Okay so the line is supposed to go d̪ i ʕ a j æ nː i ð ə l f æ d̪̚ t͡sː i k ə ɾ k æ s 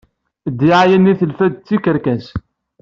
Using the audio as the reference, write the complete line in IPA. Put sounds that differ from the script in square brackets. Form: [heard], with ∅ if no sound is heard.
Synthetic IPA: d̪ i ʕ a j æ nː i [θ] ə l f æ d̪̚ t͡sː i k ə ɾ k æ s